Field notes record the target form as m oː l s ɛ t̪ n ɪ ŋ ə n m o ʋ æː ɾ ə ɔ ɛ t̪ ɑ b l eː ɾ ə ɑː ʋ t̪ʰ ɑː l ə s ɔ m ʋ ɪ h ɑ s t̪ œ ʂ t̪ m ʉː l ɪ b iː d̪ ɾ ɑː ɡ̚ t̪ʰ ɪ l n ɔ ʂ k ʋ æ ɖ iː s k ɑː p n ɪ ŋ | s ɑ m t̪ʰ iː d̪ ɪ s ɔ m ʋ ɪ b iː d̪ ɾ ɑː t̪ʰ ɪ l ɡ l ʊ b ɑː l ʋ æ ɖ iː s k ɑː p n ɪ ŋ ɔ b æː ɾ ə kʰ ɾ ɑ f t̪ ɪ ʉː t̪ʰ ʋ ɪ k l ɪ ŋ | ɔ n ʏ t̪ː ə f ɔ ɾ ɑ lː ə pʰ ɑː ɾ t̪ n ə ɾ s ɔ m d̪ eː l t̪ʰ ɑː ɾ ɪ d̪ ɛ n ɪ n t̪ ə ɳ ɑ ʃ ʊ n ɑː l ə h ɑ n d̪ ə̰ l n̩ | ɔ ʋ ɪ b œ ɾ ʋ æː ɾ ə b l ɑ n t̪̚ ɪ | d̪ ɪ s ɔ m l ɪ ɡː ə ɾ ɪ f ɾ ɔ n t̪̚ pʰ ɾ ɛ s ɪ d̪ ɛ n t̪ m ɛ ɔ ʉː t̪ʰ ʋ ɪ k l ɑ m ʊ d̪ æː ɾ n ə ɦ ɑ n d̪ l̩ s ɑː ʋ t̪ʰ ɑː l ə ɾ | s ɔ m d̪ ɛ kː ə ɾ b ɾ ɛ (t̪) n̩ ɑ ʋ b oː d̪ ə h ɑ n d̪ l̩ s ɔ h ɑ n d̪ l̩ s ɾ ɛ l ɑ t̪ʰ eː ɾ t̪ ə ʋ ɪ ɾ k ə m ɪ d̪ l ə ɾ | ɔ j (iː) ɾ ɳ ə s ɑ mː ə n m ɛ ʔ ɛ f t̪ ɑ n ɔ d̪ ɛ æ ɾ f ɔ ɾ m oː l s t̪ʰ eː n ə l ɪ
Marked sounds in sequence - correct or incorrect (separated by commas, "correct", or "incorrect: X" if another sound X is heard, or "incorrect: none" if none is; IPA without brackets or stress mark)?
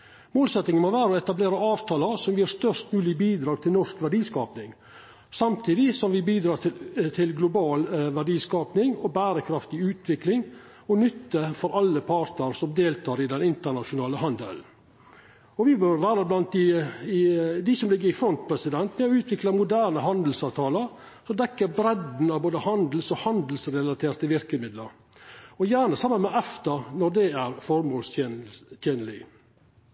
incorrect: d̪, incorrect: æː